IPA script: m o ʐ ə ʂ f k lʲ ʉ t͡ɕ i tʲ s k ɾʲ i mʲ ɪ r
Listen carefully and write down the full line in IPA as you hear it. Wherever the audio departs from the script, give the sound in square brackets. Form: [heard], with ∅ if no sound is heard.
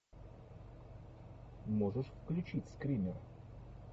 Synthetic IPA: m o ʐ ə ʂ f k lʲ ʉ t͡ɕ i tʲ s k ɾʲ i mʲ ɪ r